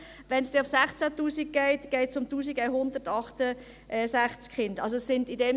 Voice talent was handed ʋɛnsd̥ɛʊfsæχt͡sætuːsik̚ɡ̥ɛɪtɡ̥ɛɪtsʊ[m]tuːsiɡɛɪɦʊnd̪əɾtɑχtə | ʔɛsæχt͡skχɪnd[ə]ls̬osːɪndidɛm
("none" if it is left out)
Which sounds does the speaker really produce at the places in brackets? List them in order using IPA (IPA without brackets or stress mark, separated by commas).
m, ɑ